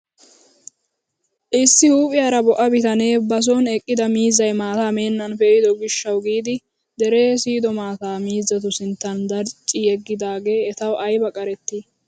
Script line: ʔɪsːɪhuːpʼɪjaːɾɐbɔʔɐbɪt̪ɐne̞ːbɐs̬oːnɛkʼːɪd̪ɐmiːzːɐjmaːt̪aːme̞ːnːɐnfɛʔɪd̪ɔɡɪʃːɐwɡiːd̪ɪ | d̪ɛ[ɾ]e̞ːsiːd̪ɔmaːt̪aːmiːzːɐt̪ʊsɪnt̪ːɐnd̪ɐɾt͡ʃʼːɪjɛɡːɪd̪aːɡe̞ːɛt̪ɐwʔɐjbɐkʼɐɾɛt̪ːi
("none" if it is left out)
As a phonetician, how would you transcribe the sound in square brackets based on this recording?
ɾ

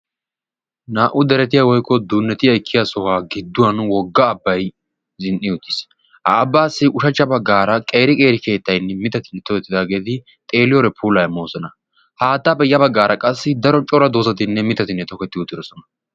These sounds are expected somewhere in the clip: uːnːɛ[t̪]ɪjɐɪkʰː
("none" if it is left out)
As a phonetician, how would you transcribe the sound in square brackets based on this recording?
t̪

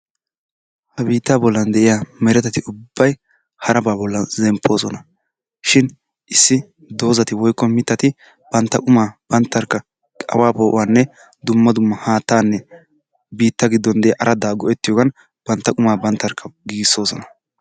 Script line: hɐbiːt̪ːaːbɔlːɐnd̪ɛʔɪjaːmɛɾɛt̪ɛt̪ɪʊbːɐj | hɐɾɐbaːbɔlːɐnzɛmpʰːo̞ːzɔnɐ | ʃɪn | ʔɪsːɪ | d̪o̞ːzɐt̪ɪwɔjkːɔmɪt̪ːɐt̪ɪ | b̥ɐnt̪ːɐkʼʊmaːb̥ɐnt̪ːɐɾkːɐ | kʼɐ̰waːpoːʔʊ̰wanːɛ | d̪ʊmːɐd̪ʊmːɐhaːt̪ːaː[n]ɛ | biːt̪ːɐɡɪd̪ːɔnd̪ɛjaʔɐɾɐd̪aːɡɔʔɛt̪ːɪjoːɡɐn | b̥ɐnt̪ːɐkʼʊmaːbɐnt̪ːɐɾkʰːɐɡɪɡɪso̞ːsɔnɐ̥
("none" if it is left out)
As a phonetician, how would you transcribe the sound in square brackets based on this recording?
nː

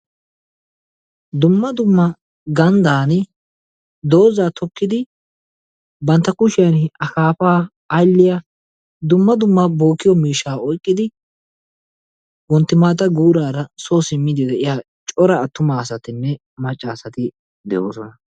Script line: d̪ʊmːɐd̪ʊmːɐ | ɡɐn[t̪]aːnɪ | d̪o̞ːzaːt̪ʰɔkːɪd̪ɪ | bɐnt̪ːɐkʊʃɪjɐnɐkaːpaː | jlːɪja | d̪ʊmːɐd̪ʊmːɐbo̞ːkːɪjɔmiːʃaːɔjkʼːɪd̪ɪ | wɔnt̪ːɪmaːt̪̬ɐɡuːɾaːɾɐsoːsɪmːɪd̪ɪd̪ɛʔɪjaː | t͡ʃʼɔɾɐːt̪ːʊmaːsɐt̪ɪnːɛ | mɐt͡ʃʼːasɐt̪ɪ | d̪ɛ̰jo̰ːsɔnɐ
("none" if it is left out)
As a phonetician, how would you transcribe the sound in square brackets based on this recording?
d̪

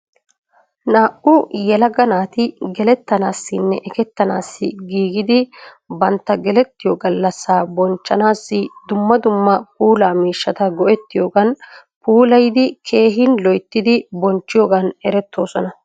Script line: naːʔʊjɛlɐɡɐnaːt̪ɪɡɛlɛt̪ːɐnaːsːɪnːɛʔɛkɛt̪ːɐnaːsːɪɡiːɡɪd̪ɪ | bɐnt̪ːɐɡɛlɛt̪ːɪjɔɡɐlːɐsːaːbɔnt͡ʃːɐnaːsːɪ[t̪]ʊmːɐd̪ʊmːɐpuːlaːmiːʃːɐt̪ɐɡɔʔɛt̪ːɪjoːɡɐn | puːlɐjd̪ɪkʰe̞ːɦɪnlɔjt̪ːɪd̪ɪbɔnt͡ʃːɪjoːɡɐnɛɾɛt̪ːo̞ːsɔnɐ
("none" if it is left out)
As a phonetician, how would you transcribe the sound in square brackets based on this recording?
d̪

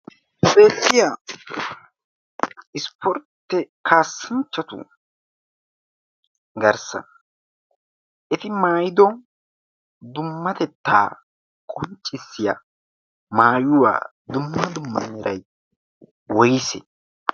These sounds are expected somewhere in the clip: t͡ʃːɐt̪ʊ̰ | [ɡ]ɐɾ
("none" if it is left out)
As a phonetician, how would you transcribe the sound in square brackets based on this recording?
ɡ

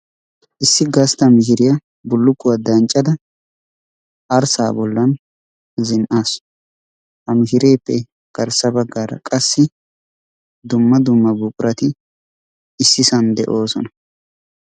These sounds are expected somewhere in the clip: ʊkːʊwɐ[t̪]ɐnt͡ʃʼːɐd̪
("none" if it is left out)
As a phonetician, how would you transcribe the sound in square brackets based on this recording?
d̪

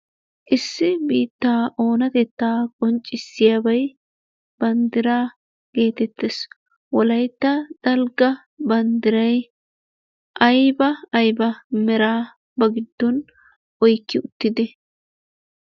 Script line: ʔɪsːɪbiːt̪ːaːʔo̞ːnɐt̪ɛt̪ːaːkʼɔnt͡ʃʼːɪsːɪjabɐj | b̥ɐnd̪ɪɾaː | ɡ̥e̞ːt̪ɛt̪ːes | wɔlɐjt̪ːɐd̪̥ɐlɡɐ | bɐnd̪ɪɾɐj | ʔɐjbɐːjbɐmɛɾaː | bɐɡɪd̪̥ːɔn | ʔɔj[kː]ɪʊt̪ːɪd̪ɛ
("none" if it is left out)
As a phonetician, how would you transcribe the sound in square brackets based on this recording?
kː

